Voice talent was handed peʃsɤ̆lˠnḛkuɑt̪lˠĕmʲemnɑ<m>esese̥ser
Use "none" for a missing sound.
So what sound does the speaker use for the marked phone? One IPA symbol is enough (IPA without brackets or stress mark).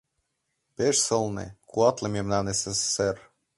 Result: n